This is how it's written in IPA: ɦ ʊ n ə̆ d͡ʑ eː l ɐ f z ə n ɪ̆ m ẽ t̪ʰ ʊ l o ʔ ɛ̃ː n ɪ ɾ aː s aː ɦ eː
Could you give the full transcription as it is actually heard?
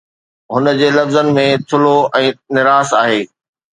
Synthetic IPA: ɦ ʊ n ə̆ d͡ʑ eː l ɐ f z ə n ɪ̆ m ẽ t̪ʰ ʊ l o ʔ ɛ̃ː n ɪ ɾ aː s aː ɦ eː